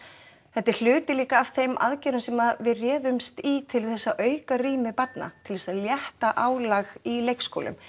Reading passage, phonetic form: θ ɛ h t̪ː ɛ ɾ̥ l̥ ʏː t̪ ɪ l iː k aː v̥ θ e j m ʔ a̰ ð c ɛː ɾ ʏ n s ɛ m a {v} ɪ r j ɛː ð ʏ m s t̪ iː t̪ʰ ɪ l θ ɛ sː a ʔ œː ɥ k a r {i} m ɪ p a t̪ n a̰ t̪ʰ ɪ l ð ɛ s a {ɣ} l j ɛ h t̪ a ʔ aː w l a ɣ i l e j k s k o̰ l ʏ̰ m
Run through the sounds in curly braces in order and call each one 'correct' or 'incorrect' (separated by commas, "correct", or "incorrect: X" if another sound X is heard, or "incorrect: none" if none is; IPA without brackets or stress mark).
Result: correct, incorrect: iː, incorrect: ð